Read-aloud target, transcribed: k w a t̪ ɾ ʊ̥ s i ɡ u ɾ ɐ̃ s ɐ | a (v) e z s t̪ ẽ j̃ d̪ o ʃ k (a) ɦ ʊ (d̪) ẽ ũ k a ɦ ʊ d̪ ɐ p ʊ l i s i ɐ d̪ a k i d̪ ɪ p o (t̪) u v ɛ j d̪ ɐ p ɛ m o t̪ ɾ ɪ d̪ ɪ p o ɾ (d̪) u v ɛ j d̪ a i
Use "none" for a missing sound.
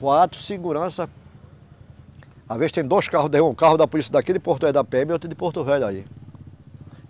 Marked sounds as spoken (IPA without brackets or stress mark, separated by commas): v, a, d̪, t̪, t̪